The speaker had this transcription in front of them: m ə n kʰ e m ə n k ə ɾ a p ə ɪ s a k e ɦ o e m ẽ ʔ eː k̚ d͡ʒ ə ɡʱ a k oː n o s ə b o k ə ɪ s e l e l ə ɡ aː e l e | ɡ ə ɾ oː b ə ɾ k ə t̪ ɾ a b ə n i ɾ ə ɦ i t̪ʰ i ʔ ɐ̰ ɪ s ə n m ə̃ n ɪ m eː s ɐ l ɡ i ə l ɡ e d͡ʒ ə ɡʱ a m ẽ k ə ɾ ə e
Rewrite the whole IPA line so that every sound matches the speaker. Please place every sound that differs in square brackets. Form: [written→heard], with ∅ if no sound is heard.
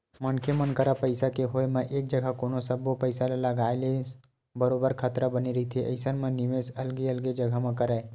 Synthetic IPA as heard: m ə n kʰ e m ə n k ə ɾ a p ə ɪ s a k e ɦ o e m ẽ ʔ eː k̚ d͡ʒ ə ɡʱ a k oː n o s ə b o [k→p] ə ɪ s [e→a] l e l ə ɡ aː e l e | [ɡ→b] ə ɾ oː b ə ɾ [k→kʰ] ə t̪ ɾ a b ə n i ɾ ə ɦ i t̪ʰ i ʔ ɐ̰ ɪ s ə n m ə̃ n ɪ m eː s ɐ l ɡ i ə l ɡ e d͡ʒ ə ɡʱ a m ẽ k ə ɾ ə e

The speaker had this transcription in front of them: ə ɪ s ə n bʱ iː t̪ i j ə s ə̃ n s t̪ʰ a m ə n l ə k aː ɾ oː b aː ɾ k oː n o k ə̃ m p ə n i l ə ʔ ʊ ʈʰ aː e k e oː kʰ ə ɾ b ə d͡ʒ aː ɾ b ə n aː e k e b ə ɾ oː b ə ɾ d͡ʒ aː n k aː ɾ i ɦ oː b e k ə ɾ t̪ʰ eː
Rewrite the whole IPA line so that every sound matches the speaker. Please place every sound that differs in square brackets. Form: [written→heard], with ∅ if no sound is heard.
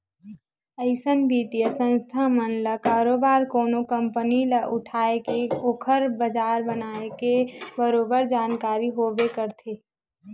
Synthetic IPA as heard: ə ɪ s ə n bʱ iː t̪ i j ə s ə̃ n s t̪ʰ a m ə n l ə k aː ɾ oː b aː ɾ k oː n o k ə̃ m p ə n i l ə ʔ ʊ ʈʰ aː e k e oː kʰ ə ɾ b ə d͡ʒ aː ɾ b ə n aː e k e b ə ɾ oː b ə ɾ d͡ʒ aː n k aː ɾ i ɦ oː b e k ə ɾ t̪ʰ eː

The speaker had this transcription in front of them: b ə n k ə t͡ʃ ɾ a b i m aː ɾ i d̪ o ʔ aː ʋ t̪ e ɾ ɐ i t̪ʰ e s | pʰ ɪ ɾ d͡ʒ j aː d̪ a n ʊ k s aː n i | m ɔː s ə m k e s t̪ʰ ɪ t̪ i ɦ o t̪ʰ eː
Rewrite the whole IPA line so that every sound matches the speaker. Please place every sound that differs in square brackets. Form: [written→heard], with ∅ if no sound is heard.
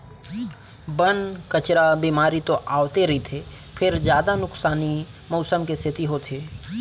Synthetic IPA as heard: b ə n k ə t͡ʃ ɾ a b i m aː ɾ i [d̪→t̪] o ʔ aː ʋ t̪ e ɾ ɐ i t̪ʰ e [s→∅] | pʰ ɪ ɾ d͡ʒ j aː d̪ a n ʊ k s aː n i | m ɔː s ə m k e s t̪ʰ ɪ t̪ i ɦ o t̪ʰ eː

